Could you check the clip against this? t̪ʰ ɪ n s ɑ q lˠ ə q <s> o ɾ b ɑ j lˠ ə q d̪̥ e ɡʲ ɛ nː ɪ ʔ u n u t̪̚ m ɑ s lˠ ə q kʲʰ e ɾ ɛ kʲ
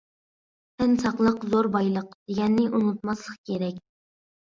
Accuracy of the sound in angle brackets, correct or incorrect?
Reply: incorrect